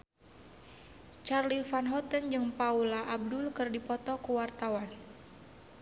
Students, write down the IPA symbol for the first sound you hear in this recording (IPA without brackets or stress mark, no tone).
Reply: t͡ʃ